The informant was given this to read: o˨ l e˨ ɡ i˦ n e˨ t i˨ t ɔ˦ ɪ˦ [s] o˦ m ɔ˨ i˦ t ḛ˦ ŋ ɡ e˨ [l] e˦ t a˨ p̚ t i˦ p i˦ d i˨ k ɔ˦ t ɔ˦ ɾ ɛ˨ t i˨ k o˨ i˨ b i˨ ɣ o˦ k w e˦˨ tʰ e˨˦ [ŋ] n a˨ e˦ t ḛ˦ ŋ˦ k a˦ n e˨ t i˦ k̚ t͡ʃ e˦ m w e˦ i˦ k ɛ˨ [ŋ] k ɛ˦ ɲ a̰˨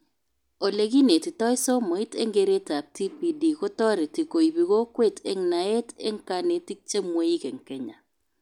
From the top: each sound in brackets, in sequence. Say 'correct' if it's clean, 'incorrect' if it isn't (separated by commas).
correct, incorrect, correct, correct